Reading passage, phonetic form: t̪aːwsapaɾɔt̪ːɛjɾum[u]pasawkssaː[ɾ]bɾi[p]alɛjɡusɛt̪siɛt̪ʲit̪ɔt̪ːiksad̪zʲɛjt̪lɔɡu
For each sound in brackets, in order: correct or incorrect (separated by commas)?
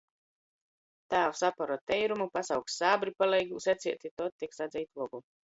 correct, incorrect, correct